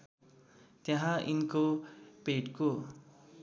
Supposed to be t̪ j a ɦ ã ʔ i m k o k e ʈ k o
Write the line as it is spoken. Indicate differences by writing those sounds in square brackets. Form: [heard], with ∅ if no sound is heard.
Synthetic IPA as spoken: t̪ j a ɦ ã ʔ i [n] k o [p] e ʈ k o